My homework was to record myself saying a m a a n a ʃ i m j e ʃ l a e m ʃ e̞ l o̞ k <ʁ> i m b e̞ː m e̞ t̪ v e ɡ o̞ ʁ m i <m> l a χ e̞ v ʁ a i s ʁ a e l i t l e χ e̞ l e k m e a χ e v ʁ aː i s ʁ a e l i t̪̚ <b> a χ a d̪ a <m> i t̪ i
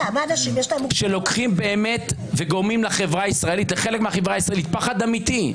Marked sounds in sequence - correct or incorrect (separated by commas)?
incorrect, correct, incorrect, correct